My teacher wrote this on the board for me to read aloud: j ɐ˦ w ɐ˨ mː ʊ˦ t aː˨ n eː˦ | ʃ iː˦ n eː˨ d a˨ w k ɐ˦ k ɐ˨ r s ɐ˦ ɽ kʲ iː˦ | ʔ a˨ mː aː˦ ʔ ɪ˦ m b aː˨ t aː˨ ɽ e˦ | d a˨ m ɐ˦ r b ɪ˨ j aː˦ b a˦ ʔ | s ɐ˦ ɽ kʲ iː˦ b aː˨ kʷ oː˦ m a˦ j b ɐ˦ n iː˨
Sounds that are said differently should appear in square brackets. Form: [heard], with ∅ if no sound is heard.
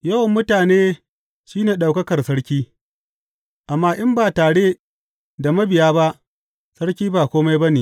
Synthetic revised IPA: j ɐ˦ w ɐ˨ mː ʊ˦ t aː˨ n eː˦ | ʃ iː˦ n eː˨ [ɗ] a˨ w k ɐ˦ k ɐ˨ r s ɐ˦ ɽ kʲ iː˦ | ʔ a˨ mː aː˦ ʔ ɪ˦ m b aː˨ t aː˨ ɽ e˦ | d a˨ m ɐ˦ [∅] b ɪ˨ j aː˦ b a˦ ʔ | s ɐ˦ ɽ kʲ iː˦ b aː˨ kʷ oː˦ m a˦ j b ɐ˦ n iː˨

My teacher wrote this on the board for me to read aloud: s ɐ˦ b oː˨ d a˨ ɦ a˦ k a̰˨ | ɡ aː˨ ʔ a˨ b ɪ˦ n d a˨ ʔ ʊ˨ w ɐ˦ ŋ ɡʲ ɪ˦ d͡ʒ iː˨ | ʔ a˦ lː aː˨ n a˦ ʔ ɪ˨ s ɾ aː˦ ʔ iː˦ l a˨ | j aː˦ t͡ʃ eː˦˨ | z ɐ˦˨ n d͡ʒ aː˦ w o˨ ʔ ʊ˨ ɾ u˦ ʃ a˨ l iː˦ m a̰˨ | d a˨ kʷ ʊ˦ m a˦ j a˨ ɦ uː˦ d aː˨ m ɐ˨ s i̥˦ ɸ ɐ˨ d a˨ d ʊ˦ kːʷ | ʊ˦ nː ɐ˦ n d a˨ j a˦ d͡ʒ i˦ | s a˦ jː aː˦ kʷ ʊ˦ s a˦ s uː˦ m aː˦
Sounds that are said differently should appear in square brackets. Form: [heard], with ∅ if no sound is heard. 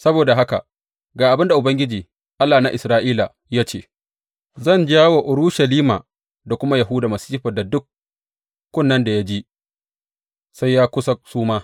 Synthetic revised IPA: s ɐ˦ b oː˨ d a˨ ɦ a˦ k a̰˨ | ɡ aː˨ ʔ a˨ b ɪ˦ n d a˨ ʔ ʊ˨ [b] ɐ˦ ŋ ɡʲ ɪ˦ d͡ʒ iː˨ | ʔ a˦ lː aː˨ n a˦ ʔ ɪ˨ s ɾ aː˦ ʔ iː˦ l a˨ | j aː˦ t͡ʃ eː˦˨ | z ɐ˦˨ n d͡ʒ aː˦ w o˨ ʔ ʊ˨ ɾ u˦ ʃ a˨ l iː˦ m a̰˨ | d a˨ kʷ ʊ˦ m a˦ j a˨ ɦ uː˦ d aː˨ m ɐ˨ s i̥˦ ɸ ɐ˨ d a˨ d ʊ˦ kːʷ | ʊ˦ nː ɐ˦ n d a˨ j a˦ d͡ʒ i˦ | s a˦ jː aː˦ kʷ ʊ˦ s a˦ s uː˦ m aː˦

